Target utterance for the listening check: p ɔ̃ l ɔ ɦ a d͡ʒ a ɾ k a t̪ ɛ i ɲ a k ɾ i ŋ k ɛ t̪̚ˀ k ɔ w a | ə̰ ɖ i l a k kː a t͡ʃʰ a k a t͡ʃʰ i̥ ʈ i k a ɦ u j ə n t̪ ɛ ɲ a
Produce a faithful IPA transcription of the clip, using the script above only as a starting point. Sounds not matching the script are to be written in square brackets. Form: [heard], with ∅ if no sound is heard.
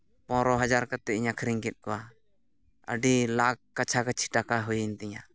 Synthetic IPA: p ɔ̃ [ɾ] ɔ ɦ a d͡ʒ a ɾ k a t̪ ɛ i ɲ a [kʰ] ɾ i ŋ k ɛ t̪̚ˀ k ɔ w a | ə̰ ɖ i l a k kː a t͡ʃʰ a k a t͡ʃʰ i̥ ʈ [a] k a ɦ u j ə n t̪ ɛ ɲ a